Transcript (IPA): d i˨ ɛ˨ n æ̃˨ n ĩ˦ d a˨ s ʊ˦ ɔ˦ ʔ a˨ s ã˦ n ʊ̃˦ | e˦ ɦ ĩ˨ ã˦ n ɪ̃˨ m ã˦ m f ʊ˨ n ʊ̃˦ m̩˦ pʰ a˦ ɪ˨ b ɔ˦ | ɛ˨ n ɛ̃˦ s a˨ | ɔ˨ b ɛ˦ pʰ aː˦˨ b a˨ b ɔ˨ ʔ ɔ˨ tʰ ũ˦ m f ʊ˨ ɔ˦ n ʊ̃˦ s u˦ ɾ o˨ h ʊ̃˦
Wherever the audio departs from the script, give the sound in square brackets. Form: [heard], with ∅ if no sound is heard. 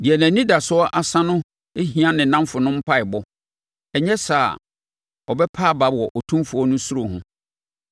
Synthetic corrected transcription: d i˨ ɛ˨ n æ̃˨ n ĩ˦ d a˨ s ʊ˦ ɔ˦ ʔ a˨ s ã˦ n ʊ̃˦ | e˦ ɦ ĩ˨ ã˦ n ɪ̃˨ [n] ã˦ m f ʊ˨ n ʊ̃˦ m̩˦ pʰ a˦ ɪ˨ b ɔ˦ | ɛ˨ [ɲ] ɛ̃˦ s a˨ | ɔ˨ b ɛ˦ pʰ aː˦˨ b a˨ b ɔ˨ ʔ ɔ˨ tʰ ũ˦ m f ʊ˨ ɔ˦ n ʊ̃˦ s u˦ ɾ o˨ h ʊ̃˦